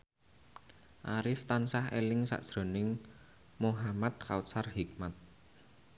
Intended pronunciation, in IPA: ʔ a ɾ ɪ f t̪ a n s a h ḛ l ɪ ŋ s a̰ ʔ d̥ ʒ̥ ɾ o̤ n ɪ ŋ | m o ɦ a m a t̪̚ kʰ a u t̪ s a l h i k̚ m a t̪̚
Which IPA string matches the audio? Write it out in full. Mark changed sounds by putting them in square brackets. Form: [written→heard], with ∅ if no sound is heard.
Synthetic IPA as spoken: ʔ a ɾ ɪ f t̪ a n s a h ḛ l ɪ ŋ s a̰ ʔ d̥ ʒ̥ ɾ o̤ n ɪ ŋ | m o ɦ a m a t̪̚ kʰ a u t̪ s a [l→r] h i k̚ m a t̪̚